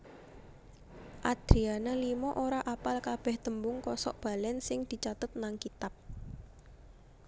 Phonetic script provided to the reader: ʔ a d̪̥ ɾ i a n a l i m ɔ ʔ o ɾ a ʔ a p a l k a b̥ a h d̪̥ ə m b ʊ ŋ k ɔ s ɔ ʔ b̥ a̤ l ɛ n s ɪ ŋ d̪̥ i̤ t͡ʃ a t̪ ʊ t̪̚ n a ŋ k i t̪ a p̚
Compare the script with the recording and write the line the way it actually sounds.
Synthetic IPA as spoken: ʔ a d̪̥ ɾ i a n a l i m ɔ ʔ o ɾ a ʔ a p a l k a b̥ ɛ h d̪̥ ə m b ʊ ŋ k ɔ s ɔ ʔ b̥ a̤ l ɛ n s ɪ ŋ d̪̥ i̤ t͡ʃ a t̪ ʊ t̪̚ n a ŋ k i t̪ a p̚